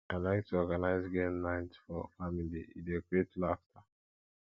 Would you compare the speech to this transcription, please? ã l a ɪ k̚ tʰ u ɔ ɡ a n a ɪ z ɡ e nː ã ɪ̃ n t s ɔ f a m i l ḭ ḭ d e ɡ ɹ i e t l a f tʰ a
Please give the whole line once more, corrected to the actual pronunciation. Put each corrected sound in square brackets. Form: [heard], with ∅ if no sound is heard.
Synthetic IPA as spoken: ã l a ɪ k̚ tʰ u ɔ ɡ a n a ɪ z ɡ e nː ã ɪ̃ n t [f] ɔ f a m i l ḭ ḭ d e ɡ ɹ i e t l a f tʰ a